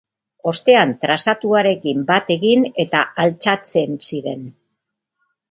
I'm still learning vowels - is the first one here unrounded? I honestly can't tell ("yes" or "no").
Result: no